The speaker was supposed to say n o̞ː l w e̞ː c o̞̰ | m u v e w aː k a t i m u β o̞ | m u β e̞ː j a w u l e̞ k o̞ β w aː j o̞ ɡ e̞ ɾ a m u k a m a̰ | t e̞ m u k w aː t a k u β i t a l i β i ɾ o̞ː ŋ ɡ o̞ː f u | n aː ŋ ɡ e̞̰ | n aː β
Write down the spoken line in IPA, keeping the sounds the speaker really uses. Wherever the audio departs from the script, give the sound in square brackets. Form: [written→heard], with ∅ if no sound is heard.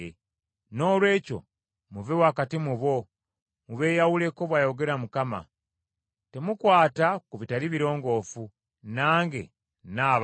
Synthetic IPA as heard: n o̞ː l w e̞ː c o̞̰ | m u v e w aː k a t i m u β o̞ | m u β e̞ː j a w u l e̞ k o̞ β w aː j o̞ ɡ e̞ ɾ a m u k a m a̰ | t e̞ m u k w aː t a k u β i t a l i β i ɾ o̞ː ŋ ɡ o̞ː f u | n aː ŋ ɡ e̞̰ | n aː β

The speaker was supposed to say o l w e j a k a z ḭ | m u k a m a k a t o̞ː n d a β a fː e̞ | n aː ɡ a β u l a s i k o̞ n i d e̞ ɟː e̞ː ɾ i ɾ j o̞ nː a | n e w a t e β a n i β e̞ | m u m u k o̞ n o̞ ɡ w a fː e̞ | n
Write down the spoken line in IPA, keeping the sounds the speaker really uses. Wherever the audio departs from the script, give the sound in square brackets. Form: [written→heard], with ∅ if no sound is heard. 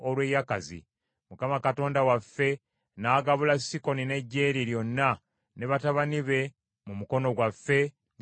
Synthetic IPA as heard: o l w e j a k a z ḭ | m u k a m a k a t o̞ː n d a [β→w] a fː e̞ | n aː ɡ a β u l a s i k o̞ n i [d→n] e̞ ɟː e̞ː ɾ i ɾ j o̞ nː a | n e [w→β] a t [e→a] β a n i β e̞ | m u m u k o̞ n o̞ ɡ w a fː e̞ | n

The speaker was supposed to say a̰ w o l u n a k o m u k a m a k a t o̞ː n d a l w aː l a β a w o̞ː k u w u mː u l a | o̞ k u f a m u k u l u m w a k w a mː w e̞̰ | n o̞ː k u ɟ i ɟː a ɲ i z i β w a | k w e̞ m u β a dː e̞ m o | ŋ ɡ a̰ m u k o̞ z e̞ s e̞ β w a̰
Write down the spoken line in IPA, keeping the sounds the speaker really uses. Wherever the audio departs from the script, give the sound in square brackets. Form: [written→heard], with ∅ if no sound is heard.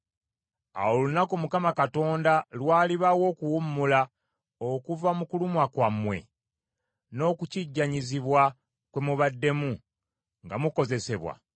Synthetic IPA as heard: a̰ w o l u n a k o m u k a m a k a t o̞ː n d a l w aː l [a→i] β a w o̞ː k u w u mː u l a | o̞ k u [f→v] a m u k u l u m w a k w a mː w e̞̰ | n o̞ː k u [ɟ→c] i ɟː a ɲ i z i β w a | k w e̞ m u β a dː e̞ m [o→u] | ŋ ɡ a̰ m u k o̞ z e̞ s e̞ β w a̰

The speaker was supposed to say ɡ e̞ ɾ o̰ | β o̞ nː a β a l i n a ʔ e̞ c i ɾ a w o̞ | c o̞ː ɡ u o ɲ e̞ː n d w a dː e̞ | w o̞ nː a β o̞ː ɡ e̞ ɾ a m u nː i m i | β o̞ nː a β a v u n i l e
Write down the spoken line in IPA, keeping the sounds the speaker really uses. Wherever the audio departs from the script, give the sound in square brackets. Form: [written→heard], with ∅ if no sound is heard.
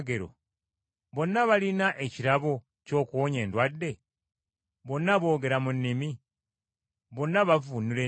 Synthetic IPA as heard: ɡ e̞ ɾ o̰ | β o̞ nː a β a l i n a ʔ e̞ c i ɾ a [w→β] o̞ | c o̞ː [ɡ→k] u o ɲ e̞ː n d w a dː e̞ | [w→β] o̞ nː a β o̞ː ɡ e̞ ɾ a m u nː i m i | β o̞ nː a β a v u n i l e

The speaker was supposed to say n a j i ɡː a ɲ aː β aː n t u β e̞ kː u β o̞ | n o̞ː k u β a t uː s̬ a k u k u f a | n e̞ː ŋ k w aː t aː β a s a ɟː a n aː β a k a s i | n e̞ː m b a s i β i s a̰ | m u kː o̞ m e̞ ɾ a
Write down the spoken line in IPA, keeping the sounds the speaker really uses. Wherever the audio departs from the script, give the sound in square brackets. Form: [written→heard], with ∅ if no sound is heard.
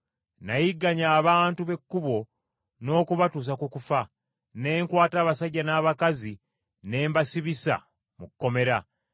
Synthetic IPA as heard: n a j i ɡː a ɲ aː β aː n t u β e̞ kː u β o̞ | n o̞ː k u β a t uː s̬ a k u k u f a | n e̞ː ŋ k w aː t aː β a s a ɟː a n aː β a k a [s→z] i | n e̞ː m b a s i β i s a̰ | m u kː o̞ m e̞ ɾ a

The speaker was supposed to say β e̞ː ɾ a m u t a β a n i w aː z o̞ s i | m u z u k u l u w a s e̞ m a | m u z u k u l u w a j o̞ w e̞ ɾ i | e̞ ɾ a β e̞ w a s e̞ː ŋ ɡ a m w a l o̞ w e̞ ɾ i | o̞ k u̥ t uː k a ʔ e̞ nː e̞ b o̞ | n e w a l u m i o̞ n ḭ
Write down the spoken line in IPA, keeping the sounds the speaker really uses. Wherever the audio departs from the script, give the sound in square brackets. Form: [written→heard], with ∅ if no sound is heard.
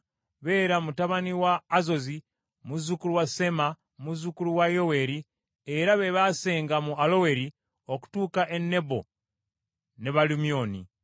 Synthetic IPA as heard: β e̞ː ɾ a m u t a β a n i w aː z o̞ [s→z] i | m u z u k u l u w a s e̞ m a | m u z u k u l u w a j o̞ w e̞ ɾ i | e̞ ɾ a β e̞ [w→β] a s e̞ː ŋ ɡ a m [w→u] a l o̞ w e̞ ɾ i | o̞ k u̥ t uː k a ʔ e̞ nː e̞ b o̞ | n e [w→β] a l u m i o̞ n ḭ

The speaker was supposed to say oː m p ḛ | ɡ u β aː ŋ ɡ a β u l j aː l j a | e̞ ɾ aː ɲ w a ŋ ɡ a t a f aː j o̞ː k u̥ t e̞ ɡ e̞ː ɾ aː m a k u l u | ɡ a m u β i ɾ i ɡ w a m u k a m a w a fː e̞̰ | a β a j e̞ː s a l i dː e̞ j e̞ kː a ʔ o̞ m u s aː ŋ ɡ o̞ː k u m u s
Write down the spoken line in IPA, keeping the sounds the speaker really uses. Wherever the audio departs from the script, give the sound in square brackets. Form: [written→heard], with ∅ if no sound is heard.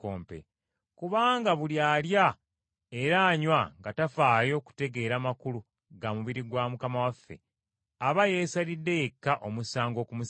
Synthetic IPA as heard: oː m p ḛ | [ɡ→k] u β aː ŋ ɡ a β u l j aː l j a | e̞ ɾ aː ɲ w a ŋ ɡ a t a f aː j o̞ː k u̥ t e̞ ɡ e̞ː ɾ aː m a k u l u | ɡ a m u β i ɾ i ɡ w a m u k a m a w a fː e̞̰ | a β a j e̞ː s a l i dː e̞ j e̞ kː a ʔ o̞ m u s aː ŋ ɡ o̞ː k u m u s

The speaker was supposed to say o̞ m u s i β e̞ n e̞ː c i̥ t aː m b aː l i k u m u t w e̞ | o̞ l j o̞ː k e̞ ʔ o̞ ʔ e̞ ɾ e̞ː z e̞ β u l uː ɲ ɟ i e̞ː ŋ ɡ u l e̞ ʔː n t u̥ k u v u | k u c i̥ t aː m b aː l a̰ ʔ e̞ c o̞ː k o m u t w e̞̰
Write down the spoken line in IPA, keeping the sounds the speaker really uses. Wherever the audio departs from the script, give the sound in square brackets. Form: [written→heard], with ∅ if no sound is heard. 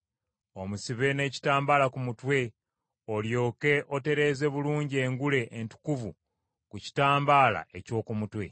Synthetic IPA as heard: o̞ m u s i β e̞ n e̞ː c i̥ t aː m b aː l [i→a] k u m u t w e̞ | o̞ l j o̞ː k e̞ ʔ o̞ [ʔ→t] e̞ ɾ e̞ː z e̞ β u l uː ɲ ɟ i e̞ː ŋ ɡ u l e̞ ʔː n t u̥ k u v u | k u c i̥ t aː m b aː l a̰ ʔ e̞ c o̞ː k [o→u] m u t w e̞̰

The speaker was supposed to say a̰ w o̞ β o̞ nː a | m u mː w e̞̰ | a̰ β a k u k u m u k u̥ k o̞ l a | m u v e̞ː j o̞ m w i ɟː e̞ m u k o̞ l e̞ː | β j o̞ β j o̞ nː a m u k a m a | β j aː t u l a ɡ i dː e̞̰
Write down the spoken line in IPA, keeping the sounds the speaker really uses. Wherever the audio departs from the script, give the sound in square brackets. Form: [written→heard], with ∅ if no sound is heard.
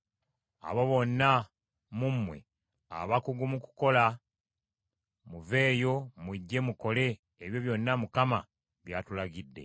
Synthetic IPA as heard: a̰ [w→β] o̞ β o̞ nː a | m u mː w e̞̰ | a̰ β a k u [k→ɡ] u m u k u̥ k o̞ l a | m u v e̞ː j o̞ m w i ɟː e̞ m u k o̞ l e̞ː | β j o̞ β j o̞ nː a m u k a m a | β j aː t u l a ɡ i dː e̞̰

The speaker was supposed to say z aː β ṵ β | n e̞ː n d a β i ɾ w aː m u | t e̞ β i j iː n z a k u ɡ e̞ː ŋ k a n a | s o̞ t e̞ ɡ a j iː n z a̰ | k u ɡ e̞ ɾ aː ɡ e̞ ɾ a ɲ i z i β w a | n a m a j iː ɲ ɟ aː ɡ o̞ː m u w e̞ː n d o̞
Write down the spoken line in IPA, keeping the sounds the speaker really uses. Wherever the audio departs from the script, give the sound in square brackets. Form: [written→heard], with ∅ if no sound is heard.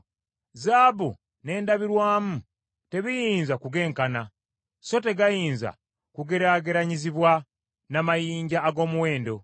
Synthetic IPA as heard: z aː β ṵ [β→∅] | n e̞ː n d a β i ɾ w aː m u | t e̞ β i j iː n z a k u ɡ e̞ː ŋ k a n a | s o̞ t e̞ ɡ a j iː n z a̰ | k u ɡ e̞ ɾ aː ɡ e̞ ɾ a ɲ i z i β w a | n a m a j iː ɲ ɟ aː ɡ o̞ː m u w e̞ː n d o̞

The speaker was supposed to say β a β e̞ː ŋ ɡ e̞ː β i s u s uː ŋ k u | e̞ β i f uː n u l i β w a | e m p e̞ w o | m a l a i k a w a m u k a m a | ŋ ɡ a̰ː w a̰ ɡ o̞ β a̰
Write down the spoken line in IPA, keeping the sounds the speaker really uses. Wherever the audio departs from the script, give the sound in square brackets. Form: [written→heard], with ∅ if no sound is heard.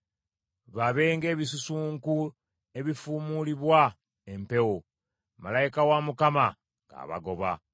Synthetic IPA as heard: β a β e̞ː ŋ ɡ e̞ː β i s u s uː ŋ k u | e̞ β i f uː [n→m] u l i β w a | e m p e̞ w o | m a l a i k a w a m u k a m a | ŋ ɡ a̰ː [w→β] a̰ ɡ o̞ β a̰

